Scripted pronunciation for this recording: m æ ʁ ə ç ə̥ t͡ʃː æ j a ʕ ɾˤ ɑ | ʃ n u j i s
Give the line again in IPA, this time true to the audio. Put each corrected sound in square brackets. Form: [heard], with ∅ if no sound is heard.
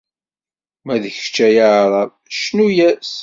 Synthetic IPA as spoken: m æ [ð] ə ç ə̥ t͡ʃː æ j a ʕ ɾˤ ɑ | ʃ n u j [æ] s